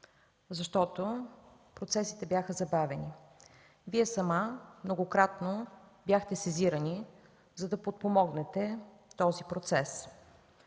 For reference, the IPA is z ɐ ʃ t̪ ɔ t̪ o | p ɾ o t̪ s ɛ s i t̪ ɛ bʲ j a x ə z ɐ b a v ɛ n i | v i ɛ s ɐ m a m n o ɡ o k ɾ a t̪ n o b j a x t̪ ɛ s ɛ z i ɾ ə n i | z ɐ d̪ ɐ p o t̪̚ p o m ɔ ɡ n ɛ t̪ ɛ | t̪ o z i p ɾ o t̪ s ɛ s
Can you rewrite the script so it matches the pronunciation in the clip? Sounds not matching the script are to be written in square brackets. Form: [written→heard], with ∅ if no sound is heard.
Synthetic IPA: z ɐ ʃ t̪ ɔ t̪ o | p ɾ o t̪ s ɛ s i t̪ ɛ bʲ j a x ə z ɐ b a v ɛ n i | v i ɛ s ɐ m a m n o ɡ o k ɾ a t̪ n o b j a x t̪ ɛ s ɛ z i ɾ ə n i | z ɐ d̪ ɐ p o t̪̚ p o m ɔ ɡ n ɛ t̪ ɛ | t̪ [o→ɔ] z i p ɾ o t̪ s ɛ s